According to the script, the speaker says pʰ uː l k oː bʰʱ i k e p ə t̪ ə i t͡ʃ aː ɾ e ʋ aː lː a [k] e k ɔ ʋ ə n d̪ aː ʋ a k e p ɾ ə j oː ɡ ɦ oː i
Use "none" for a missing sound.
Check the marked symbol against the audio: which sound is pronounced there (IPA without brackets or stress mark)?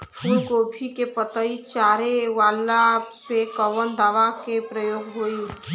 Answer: p